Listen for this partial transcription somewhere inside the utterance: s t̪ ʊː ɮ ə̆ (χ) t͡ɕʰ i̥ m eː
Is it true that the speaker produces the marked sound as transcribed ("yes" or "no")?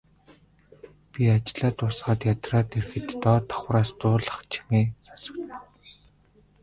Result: yes